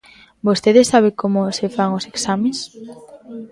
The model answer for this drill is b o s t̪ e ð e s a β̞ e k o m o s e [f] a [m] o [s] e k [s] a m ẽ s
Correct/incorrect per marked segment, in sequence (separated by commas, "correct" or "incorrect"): correct, incorrect, correct, correct